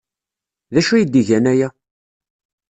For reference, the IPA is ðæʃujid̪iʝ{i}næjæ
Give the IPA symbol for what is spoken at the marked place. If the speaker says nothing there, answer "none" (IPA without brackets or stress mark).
æ